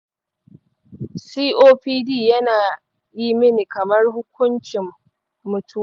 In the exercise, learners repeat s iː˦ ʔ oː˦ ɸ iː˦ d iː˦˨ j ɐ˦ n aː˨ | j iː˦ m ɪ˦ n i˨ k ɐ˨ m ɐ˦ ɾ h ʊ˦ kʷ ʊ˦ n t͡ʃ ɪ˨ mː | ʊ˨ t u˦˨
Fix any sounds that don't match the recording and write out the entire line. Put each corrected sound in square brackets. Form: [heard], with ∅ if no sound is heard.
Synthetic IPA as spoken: s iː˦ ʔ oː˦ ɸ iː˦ d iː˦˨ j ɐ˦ n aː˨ | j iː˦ m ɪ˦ n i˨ k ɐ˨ m ɐ˦ [r] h ʊ˦ kʷ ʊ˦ n t͡ʃ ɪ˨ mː | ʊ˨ t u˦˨